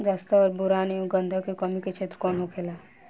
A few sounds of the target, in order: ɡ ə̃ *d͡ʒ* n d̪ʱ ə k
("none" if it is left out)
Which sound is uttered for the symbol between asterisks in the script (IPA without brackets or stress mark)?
none